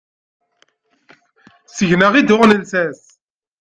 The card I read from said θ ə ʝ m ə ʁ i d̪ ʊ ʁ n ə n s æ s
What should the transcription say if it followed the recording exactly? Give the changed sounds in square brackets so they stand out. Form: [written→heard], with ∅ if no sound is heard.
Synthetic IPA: [θ→s] ə ʝ [m→n] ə ʁ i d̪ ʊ ʁ n ə n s æ s